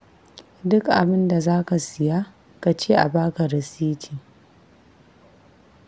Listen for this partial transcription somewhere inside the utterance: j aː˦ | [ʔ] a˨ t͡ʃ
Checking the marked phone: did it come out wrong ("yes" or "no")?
yes